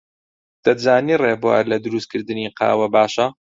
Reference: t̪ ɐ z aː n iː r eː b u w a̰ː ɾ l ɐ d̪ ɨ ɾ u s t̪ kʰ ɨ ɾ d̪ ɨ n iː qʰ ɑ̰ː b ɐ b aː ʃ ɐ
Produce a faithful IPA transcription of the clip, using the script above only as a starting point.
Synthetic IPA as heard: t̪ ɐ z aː n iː r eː b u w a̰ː ɾ l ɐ d̪ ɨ ɾ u s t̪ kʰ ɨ ɾ d̪ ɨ n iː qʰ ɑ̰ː w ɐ b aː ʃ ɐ